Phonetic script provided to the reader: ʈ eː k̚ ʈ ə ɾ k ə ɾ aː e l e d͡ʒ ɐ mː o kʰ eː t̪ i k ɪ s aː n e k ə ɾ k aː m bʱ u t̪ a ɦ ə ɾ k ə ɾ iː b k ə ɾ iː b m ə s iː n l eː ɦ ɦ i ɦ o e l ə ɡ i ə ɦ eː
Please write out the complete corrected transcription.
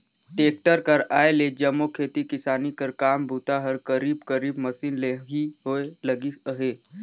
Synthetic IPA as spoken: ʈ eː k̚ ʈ ə ɾ k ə ɾ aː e l e d͡ʒ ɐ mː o kʰ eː t̪ i k ɪ s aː n i k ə ɾ k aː m bʱ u t̪ a ɦ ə ɾ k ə ɾ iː b k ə ɾ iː b m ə s iː n l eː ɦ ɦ i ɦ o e l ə ɡ i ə ɦ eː

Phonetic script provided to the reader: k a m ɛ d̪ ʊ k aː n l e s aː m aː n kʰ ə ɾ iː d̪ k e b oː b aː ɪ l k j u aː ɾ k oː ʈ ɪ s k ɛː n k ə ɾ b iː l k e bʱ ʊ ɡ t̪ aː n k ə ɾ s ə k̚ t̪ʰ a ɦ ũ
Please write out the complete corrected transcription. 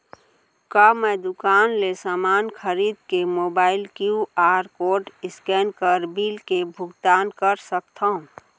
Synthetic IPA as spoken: k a m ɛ d̪ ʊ k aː n l e s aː m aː n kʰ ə ɾ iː d̪ k e m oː b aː ɪ l k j u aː ɾ k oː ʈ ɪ s k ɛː n k ə ɾ b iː l k e bʱ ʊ ɡ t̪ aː n k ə ɾ s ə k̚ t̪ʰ a ɦ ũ

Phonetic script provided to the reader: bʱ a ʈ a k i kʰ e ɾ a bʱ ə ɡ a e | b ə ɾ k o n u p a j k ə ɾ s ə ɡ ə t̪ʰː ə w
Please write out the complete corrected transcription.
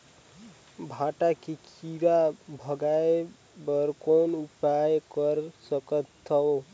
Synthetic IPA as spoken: bʱ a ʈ a k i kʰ i ɾ a bʱ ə ɡ a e | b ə ɾ k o n u p a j k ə ɾ s ə k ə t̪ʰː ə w

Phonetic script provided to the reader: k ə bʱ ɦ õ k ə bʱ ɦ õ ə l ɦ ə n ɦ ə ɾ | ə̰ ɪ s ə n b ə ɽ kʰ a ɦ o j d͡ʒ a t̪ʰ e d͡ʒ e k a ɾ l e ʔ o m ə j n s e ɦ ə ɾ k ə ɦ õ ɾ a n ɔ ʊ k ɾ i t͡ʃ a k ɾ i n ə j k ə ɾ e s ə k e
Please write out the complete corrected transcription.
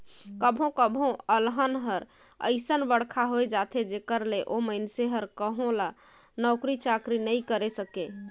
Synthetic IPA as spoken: k ə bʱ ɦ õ k ə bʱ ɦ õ ə l ɦ ə n ɦ ə ɾ | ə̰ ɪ s ə n b ə ɽ kʰ a ɦ o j d͡ʒ a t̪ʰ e d͡ʒ e k ə ɾ l e ʔ o m ə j n s e ɦ ə ɾ k ə ɦ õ l a n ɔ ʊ k ɾ i t͡ʃ a k ɾ i n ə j k ə ɾ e s ə k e

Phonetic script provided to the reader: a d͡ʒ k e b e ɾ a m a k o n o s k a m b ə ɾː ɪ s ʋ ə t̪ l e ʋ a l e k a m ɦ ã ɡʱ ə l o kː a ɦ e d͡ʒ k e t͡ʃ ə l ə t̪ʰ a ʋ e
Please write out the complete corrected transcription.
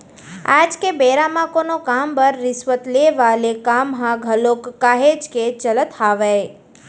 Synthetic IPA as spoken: a d͡ʒ k e b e ɾ a m a k o n o k a m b ə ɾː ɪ s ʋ ə t̪ l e ʋ a l e k a m ɦ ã ɡʱ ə l o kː a ɦ e d͡ʒ k e t͡ʃ ə l ə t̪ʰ a ʋ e

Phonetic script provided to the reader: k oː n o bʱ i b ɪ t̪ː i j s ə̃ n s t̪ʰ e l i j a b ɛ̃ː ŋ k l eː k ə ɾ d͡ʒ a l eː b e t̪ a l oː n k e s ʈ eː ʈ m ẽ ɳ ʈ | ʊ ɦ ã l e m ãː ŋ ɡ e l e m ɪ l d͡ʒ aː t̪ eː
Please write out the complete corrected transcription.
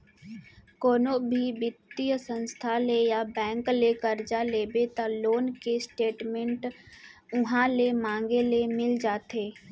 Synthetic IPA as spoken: k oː n o bʱ i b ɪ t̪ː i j s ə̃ n s t̪ʰ a l e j a b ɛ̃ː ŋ k l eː k ə ɾ d͡ʒ a l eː b e t̪ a l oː n k e s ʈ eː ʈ m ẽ ɳ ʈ | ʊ ɦ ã l e m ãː ŋ ɡ e l e m ɪ l d͡ʒ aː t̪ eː

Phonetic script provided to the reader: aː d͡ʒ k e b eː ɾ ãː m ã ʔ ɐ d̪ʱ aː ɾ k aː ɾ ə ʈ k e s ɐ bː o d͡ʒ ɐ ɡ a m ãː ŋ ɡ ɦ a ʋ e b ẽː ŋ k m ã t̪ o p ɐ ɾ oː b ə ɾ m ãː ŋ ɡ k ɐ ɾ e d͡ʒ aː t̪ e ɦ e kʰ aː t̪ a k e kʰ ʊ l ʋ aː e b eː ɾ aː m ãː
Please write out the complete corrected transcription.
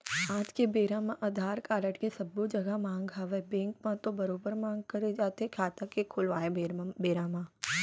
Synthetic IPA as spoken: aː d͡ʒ k e b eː ɾ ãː m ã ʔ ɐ d̪ʱ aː ɾ k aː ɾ ə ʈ k e s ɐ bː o d͡ʒ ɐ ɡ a m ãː ŋ ɡ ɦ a ʋ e b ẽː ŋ k m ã t̪ o b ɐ ɾ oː b ə ɾ m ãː ŋ ɡ k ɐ ɾ e d͡ʒ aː t̪ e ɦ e kʰ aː t̪ a k e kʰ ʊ l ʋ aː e b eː ɾ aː m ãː

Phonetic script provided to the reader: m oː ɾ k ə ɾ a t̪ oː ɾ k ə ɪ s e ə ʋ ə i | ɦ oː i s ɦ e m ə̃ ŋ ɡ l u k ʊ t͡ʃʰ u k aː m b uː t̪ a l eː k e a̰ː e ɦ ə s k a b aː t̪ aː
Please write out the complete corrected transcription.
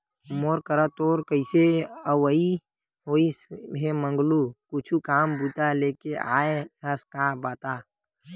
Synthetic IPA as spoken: m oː ɾ k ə ɾ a t̪ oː ɾ k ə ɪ s e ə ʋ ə i | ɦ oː i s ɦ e m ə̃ ŋ ɡ l u k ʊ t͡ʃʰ u k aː m b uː t̪ a l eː k e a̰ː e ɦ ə s k a b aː t̪ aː

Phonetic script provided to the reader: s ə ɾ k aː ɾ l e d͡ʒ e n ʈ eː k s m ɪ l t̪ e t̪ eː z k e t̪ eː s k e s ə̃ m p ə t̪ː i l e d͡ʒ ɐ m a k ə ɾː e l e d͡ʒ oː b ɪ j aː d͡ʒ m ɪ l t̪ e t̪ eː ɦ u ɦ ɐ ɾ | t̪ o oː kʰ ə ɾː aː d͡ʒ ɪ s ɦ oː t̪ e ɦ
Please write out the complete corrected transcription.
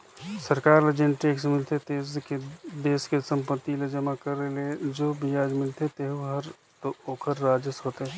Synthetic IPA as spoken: s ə ɾ k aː ɾ l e d͡ʒ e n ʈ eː k s m ɪ l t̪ e t̪ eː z k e d̪ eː s k e s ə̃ m p ə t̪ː i l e d͡ʒ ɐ m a k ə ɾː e l e d͡ʒ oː b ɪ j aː d͡ʒ m ɪ l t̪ e t̪ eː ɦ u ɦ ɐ ɾ | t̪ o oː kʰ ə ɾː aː d͡ʒ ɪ s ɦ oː t̪ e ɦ

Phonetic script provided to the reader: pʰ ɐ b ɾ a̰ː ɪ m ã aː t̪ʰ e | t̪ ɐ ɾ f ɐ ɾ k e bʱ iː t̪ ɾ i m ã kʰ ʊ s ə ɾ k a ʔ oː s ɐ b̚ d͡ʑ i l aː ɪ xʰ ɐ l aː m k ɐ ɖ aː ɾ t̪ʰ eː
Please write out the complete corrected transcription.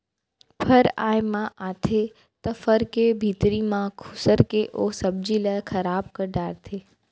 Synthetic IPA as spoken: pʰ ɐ ɾ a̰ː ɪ m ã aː t̪ʰ e | t̪ ɐ f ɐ ɾ k e bʱ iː t̪ ɾ i m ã kʰ ʊ s ə ɾ k e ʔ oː s ɐ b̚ d͡ʑ i l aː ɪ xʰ ɐ ɾ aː b k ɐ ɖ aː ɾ t̪ʰ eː

